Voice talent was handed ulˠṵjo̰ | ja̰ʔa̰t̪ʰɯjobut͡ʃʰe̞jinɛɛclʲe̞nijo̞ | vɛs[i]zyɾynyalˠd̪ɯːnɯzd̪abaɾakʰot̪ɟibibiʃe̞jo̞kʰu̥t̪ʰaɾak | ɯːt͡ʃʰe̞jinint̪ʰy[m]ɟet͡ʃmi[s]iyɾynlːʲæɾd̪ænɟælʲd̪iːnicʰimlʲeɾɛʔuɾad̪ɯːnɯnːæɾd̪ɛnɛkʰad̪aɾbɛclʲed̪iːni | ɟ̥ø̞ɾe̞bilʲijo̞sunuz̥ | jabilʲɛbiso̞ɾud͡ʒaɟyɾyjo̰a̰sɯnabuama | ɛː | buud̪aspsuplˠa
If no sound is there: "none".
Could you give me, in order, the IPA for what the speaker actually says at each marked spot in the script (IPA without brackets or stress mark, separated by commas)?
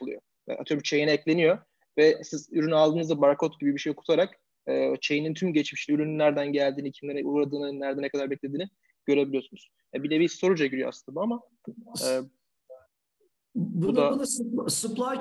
i, m, ʃ